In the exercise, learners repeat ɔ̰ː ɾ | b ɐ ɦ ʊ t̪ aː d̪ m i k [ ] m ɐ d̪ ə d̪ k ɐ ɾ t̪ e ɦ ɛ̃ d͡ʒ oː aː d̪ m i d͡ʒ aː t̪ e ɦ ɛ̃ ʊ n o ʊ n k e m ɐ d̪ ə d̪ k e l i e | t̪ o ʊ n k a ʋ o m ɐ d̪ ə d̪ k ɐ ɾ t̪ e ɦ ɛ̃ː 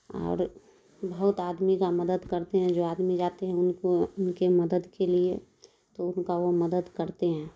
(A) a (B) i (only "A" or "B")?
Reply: A